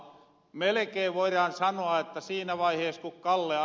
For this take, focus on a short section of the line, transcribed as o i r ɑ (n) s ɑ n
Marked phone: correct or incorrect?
correct